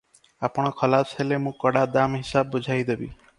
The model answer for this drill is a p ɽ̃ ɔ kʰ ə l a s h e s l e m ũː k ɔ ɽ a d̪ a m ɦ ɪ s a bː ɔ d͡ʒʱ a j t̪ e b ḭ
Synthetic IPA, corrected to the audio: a p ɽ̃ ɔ kʰ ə l a s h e l e m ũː k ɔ ɽ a d̪ a m ɦ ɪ s a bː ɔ d͡ʒʱ a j d̪ e b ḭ